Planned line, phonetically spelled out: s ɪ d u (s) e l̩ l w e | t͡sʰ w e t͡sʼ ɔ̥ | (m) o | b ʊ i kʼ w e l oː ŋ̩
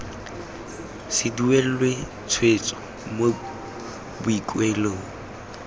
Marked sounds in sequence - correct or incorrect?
incorrect: none, correct

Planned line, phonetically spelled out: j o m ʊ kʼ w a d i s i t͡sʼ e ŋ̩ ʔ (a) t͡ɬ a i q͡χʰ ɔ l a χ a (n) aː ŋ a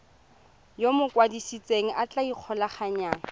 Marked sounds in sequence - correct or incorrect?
correct, incorrect: ɲ

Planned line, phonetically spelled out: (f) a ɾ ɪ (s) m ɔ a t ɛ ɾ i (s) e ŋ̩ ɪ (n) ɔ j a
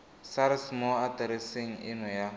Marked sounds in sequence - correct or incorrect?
incorrect: s, correct, correct, correct

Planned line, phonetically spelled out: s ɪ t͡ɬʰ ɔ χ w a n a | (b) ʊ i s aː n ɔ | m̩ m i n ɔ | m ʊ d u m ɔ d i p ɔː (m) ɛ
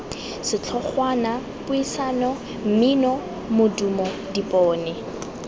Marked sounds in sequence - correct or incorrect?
incorrect: p, incorrect: n

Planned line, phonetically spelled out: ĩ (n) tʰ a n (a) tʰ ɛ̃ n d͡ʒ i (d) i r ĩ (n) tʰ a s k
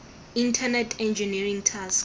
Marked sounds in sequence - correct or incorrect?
correct, incorrect: ɛ, incorrect: n, incorrect: ŋ

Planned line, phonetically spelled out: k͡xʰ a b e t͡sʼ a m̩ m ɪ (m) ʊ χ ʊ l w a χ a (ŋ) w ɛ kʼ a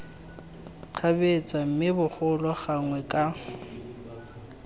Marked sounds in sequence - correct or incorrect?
incorrect: b, correct

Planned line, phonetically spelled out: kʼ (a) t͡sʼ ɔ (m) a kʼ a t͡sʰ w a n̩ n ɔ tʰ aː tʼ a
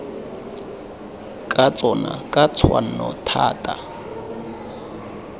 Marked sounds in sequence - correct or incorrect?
correct, incorrect: n

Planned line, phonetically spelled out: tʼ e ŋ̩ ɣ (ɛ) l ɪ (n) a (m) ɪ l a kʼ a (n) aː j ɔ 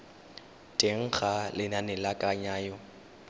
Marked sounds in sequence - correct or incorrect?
incorrect: a, correct, incorrect: n, incorrect: ɲ

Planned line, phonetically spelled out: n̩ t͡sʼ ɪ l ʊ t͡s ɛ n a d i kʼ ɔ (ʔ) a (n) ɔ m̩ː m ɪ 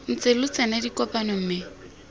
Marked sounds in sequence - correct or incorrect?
incorrect: p, correct

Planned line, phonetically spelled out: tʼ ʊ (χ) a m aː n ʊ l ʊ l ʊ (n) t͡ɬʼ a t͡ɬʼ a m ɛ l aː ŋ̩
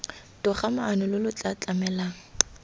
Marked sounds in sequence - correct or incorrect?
correct, incorrect: none

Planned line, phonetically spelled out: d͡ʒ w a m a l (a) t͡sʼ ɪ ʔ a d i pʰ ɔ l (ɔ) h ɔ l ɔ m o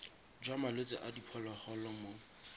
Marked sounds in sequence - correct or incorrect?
incorrect: e, correct

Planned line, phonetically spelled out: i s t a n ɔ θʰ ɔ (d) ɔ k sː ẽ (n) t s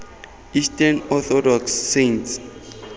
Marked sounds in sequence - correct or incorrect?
correct, correct

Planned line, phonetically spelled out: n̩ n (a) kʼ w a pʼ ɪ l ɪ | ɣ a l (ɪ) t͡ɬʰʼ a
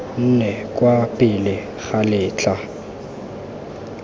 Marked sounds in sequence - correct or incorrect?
incorrect: ɛ, incorrect: ɪː

